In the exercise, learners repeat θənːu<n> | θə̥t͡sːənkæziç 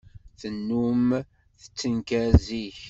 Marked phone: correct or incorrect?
incorrect